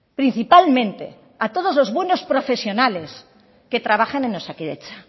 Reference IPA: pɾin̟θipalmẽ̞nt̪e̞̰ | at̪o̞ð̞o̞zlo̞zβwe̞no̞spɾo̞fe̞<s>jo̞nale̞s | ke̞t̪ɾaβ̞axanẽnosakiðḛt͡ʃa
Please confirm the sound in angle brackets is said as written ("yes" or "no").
yes